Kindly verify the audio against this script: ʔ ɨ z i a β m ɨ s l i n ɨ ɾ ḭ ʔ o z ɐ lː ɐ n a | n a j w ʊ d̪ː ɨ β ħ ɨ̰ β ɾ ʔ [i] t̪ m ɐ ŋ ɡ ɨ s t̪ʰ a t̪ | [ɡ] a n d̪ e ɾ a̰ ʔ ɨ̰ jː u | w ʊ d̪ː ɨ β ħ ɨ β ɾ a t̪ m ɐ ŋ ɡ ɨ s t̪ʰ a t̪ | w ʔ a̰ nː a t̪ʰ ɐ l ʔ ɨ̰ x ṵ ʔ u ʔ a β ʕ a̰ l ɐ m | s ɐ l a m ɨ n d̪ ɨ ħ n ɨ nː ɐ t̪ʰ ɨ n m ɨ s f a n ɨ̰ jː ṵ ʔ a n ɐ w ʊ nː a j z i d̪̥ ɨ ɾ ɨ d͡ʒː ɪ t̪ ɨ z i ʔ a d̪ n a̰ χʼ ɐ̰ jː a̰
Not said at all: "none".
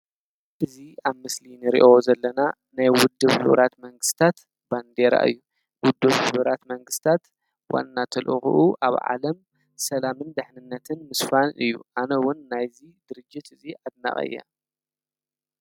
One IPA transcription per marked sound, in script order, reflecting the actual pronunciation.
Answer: a, b

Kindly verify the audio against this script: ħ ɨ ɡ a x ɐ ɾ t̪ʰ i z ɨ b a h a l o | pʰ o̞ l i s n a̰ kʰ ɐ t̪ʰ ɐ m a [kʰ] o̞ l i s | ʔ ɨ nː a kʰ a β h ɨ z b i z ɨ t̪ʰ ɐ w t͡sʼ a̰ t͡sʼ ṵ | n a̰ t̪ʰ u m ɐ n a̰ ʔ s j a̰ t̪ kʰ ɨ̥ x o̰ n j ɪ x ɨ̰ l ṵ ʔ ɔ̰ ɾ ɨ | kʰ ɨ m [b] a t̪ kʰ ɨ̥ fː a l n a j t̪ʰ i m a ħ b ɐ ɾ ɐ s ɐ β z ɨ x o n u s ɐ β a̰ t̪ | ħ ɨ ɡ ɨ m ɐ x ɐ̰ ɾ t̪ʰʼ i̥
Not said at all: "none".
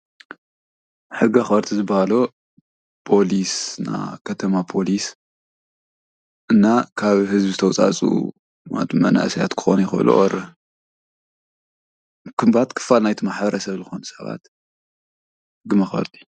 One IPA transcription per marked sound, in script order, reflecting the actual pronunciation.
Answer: pʰ, b

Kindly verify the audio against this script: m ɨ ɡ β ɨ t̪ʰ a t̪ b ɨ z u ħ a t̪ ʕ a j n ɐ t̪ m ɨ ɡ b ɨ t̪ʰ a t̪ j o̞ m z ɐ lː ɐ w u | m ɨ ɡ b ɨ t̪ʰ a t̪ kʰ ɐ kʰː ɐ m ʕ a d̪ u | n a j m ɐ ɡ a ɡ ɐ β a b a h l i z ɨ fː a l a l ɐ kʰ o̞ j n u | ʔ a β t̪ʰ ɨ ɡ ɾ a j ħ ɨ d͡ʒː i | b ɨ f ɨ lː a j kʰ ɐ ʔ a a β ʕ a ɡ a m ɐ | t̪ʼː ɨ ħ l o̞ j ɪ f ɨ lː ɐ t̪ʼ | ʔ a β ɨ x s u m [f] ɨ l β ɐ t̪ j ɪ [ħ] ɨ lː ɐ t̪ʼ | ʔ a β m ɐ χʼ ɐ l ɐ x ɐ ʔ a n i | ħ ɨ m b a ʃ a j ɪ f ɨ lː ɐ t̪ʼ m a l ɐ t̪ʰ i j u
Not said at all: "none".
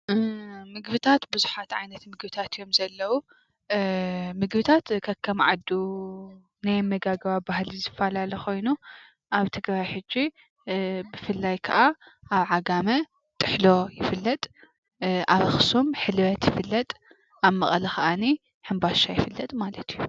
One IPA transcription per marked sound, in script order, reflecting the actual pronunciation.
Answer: ħ, f

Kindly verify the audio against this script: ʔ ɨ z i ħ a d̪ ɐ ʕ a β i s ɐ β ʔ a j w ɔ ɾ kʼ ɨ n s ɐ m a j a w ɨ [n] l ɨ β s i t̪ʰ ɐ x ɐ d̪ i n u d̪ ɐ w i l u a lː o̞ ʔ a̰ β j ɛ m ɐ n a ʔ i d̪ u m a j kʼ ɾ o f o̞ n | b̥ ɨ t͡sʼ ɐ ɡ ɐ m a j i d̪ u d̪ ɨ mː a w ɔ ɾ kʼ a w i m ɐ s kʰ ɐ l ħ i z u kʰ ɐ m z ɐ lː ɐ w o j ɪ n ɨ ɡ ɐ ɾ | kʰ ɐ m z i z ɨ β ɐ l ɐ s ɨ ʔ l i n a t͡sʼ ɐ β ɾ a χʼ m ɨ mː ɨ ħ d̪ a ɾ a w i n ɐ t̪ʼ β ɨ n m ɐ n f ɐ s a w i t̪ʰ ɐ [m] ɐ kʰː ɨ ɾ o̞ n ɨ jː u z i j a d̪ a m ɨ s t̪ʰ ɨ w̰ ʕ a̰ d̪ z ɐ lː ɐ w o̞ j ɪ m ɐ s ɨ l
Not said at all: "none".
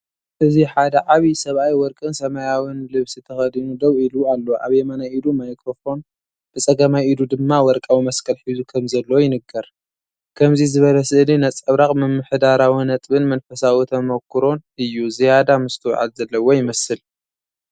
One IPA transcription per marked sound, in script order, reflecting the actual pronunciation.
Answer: n, m

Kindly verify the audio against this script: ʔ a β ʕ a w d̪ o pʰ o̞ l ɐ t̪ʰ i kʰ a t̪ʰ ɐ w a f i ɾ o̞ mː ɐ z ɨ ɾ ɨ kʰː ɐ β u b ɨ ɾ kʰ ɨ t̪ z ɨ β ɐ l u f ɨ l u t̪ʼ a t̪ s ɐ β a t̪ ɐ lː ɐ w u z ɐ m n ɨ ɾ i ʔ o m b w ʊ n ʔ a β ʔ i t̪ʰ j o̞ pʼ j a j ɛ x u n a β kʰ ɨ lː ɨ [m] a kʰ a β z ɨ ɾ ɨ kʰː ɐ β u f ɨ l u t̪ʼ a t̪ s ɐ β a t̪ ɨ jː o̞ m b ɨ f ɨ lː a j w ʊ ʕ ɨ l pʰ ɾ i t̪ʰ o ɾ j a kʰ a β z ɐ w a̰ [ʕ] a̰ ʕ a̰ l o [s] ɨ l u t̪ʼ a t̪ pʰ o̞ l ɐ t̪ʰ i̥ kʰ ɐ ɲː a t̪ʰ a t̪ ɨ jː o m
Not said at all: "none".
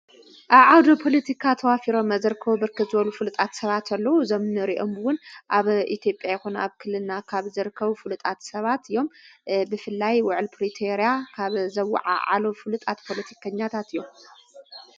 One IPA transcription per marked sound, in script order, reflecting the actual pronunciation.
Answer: n, ʕ, f

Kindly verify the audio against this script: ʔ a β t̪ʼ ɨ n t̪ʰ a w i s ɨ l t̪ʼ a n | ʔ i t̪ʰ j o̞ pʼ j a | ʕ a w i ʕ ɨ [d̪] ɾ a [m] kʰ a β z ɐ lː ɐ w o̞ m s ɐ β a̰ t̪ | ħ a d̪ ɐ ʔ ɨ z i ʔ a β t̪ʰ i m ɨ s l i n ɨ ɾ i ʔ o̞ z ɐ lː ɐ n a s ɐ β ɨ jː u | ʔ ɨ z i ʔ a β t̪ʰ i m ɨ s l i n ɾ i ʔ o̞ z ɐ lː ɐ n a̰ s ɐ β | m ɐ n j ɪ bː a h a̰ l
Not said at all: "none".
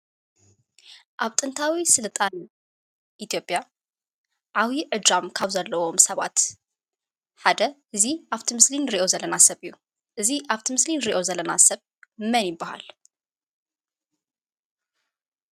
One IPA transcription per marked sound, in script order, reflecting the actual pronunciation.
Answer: d̪, m

